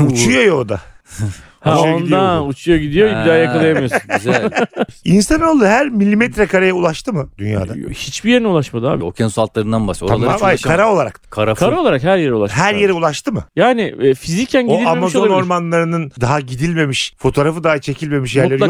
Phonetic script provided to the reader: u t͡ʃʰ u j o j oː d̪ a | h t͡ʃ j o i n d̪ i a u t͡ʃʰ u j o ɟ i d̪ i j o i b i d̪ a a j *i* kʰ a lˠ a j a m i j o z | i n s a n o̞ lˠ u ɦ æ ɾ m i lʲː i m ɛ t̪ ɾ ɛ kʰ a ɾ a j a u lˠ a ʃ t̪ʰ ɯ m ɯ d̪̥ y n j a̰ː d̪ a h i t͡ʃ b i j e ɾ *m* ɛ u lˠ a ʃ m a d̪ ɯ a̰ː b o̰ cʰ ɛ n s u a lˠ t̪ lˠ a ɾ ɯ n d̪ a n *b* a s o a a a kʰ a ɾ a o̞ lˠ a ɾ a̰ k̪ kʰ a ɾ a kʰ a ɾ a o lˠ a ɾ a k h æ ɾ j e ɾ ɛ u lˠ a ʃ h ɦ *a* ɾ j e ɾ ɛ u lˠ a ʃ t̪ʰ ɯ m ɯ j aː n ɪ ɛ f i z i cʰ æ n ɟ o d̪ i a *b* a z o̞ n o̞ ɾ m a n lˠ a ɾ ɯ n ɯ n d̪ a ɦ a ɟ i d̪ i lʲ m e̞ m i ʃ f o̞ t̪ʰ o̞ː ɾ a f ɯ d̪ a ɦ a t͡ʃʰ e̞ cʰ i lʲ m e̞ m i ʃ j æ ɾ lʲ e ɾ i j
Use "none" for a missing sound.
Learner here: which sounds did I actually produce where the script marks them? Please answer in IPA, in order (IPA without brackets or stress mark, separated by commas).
a, n, b, æ, m